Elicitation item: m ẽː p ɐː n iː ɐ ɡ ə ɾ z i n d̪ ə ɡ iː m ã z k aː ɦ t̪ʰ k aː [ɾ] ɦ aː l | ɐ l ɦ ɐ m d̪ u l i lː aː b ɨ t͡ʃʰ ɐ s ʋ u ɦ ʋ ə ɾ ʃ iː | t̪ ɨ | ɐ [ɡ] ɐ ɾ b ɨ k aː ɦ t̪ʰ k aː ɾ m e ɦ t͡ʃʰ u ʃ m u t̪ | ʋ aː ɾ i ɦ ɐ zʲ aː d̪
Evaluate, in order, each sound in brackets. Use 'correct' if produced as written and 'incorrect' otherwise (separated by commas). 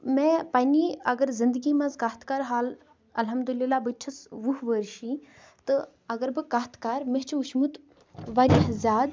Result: correct, correct